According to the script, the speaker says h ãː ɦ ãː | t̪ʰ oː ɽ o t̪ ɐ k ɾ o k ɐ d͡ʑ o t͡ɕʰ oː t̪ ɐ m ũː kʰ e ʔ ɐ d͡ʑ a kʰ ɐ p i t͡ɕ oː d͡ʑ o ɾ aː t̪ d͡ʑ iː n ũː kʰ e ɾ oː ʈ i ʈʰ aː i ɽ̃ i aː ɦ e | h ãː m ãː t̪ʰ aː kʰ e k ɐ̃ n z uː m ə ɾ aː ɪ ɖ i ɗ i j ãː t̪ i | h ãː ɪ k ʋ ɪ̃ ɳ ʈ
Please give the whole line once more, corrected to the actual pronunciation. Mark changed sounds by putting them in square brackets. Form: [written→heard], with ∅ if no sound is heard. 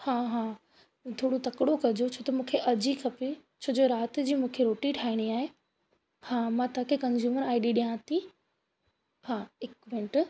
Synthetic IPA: h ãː ɦ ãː | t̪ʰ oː ɽ o t̪ ɐ k [ɾ→ɽ] o k ɐ d͡ʑ o t͡ɕʰ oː t̪ ɐ m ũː kʰ e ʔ ɐ d͡ʑ [a→i] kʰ ɐ p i [t͡ɕ→t͡ɕʰ] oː d͡ʑ o ɾ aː t̪ d͡ʑ iː [n→m] ũː kʰ e ɾ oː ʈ i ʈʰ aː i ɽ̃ i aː ɦ e | h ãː m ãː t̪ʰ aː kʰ e k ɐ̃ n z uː m ə ɾ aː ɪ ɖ i ɗ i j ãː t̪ i | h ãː ɪ k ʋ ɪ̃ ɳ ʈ